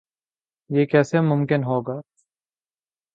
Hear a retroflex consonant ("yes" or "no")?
no